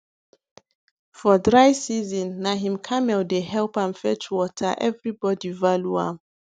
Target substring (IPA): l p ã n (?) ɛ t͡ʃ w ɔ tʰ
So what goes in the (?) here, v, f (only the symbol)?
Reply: f